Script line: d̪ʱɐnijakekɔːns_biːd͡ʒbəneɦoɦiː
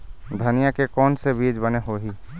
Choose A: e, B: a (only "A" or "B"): A